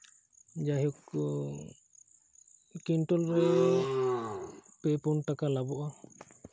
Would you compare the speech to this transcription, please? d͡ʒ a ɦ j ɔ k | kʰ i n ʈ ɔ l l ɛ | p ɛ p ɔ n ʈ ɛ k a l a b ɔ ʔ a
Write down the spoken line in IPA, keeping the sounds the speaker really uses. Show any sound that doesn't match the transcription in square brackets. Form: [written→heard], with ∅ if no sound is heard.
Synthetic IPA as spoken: d͡ʒ a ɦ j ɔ k | [kʰ→k] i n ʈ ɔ l [l→ɾ] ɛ | p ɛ p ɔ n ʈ [ɛ→a] k a l a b ɔ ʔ a